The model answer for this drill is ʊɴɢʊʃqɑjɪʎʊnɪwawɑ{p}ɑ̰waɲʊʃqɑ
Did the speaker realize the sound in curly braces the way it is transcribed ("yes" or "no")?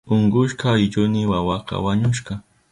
no